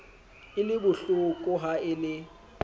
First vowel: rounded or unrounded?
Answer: unrounded